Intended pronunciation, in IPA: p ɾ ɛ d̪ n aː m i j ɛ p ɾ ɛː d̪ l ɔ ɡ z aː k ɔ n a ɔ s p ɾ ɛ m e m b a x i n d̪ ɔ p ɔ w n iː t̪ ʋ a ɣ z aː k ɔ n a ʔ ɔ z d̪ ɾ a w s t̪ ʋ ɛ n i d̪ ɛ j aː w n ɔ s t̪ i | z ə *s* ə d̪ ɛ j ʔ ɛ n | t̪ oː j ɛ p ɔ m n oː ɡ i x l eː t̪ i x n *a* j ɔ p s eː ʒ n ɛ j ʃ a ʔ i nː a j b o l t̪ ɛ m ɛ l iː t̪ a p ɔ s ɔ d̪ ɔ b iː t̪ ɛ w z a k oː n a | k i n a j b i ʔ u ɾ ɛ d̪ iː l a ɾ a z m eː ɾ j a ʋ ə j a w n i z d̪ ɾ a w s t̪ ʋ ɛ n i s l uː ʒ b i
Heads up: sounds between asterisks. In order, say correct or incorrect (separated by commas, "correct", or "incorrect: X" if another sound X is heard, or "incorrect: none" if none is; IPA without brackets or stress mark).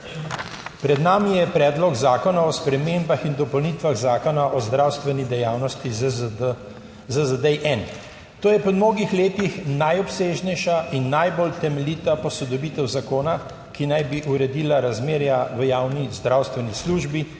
incorrect: z, correct